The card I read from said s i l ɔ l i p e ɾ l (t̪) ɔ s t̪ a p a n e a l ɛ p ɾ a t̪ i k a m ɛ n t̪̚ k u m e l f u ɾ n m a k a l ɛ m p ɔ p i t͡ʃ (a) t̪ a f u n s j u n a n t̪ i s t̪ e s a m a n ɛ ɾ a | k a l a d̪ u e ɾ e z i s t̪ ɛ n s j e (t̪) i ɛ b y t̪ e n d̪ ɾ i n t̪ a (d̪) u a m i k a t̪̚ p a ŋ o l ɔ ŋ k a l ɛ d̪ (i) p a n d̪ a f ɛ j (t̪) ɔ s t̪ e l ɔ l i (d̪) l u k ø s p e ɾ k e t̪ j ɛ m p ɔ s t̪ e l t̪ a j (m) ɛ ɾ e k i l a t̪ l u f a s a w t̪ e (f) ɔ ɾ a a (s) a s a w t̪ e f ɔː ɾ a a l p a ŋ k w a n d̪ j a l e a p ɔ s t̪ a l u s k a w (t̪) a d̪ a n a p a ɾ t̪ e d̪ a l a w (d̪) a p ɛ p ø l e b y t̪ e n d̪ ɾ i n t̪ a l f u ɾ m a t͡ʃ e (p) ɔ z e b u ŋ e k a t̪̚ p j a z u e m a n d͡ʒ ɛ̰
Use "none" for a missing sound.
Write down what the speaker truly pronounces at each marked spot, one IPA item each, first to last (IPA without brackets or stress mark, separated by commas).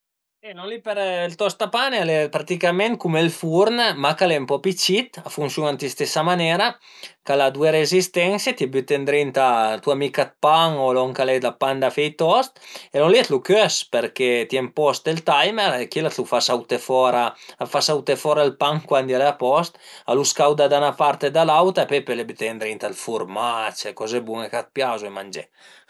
t̪, i, t̪, t̪, a, t̪, t̪, m, f, f, d̪, t̪, k